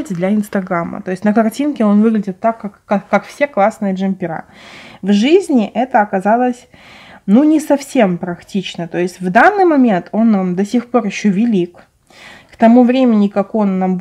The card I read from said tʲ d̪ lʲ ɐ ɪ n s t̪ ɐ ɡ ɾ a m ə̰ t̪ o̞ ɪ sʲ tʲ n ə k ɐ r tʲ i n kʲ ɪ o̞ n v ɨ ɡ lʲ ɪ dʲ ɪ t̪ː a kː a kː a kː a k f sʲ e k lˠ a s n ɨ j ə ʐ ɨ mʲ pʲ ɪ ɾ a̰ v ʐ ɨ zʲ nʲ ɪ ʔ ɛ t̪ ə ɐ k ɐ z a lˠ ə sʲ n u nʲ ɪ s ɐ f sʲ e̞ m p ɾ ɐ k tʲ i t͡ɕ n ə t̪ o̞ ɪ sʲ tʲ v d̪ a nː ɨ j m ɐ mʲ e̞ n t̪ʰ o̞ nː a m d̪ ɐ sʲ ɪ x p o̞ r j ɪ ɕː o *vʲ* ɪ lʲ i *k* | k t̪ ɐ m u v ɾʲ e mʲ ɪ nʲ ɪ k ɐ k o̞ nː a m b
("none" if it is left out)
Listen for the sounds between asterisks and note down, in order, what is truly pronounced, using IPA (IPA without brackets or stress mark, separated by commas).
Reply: vʲ, k